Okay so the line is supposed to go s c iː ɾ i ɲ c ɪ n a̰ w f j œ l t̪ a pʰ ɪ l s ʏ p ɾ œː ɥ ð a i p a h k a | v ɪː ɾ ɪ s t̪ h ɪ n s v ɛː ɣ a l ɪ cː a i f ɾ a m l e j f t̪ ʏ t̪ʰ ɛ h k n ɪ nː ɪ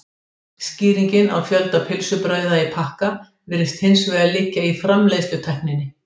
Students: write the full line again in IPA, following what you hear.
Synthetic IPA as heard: s c iː ɾ i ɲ c ɪ n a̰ w f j œ l t̪ a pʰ ɪ l s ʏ p ɾ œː ɥ ð a i pʰ a h k a | v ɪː ɾ ɪ s t̪ h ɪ n s v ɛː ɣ a l ɪ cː a i f ɾ a m l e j s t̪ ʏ t̪ʰ ɛ h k n ɪ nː ɪ